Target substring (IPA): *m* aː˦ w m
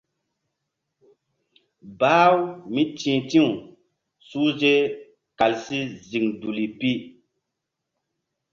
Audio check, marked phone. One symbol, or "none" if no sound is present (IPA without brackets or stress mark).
b